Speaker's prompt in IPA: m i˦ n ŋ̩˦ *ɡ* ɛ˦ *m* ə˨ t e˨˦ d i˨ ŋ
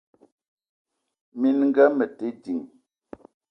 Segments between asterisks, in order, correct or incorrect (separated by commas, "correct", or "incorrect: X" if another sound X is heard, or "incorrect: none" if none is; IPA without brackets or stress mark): correct, correct